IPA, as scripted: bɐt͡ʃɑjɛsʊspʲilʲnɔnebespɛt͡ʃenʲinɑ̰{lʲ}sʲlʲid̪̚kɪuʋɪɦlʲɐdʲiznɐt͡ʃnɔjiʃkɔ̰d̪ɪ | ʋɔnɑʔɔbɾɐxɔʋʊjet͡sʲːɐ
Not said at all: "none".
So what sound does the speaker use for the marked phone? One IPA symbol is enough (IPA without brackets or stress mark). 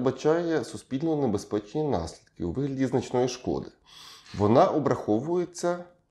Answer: none